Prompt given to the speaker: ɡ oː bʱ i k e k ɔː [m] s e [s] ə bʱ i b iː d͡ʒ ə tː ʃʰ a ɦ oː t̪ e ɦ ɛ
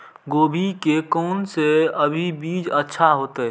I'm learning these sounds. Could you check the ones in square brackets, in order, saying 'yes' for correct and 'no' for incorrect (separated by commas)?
no, no